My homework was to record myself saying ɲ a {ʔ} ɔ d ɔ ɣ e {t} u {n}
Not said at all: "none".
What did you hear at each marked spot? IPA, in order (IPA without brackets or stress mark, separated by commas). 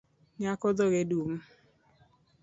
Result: k, d, m